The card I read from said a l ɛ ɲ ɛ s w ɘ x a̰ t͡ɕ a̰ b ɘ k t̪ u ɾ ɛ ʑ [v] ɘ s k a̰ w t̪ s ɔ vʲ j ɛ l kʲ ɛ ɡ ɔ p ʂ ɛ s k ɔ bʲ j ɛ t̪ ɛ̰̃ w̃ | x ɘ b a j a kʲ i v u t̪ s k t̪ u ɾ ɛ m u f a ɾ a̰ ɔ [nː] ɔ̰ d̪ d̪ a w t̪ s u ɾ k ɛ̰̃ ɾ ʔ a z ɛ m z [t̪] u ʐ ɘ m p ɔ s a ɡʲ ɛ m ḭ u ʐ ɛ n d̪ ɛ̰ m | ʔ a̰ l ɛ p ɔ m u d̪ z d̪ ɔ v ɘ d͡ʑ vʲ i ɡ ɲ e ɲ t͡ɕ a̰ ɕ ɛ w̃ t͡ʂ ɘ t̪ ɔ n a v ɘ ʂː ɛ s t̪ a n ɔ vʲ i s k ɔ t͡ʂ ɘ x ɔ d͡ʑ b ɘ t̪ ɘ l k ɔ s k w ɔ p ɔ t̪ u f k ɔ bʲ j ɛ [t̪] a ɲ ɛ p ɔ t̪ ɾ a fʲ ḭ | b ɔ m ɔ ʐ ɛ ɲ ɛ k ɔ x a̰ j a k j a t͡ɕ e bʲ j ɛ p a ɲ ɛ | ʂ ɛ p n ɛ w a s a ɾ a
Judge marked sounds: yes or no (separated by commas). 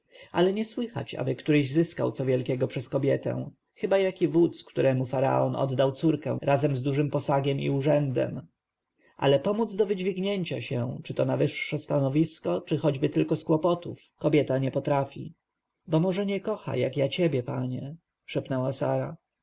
no, no, no, yes